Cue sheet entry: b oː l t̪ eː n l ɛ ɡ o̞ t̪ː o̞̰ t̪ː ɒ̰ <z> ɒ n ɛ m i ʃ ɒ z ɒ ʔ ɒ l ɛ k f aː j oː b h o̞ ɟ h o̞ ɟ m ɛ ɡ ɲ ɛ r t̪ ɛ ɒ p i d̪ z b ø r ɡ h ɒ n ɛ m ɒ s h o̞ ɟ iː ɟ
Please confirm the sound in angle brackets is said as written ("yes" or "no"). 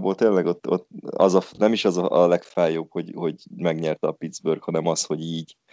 yes